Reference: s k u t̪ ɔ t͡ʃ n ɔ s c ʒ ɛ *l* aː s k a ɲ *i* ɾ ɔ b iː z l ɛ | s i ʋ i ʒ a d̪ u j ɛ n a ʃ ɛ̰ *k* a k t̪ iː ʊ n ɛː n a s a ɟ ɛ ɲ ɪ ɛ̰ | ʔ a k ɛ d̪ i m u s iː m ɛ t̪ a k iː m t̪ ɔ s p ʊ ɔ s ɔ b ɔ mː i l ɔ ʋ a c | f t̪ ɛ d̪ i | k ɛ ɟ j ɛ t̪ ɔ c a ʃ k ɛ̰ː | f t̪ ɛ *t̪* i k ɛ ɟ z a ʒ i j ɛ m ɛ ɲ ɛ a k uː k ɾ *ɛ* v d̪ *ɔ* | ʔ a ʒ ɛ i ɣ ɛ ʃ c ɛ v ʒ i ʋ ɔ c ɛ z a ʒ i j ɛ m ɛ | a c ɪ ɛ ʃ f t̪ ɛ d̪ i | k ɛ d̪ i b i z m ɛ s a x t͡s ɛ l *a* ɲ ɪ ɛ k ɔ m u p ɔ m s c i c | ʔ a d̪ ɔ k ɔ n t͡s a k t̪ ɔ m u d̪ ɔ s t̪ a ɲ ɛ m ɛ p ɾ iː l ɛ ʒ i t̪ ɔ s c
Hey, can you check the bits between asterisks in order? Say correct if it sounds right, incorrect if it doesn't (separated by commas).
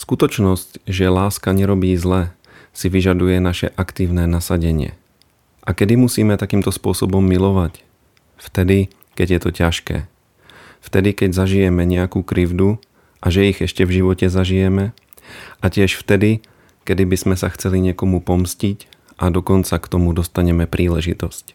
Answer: correct, incorrect, incorrect, incorrect, incorrect, incorrect, incorrect